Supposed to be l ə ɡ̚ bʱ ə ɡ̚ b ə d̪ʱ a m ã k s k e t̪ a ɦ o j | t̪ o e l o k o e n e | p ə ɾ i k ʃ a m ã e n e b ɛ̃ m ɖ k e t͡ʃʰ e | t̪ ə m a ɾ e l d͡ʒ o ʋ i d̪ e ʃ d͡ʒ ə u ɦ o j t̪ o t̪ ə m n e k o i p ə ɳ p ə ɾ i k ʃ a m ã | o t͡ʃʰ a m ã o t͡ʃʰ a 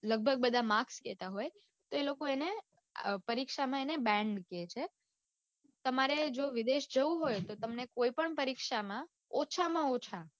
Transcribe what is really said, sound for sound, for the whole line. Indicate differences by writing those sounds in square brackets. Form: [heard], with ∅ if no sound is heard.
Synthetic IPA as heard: l ə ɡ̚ bʱ ə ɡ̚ b ə d̪ʱ a m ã k s k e t̪ a ɦ o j | t̪ o e l o k o e n e | p ə ɾ i k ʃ a m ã e n e b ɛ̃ [ɳ] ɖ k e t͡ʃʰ e | t̪ ə m a ɾ e [∅] d͡ʒ o ʋ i d̪ e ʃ d͡ʒ ə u ɦ o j t̪ o t̪ ə m n e k o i p ə ɳ p ə ɾ i k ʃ a m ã | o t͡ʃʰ a m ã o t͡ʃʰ a